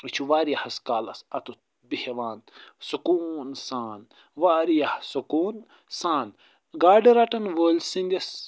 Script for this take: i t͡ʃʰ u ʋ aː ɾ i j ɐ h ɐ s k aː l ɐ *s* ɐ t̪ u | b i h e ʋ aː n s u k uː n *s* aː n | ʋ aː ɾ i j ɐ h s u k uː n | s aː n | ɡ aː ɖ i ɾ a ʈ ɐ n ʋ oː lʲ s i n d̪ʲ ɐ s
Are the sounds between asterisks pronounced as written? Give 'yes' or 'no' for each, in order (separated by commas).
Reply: yes, yes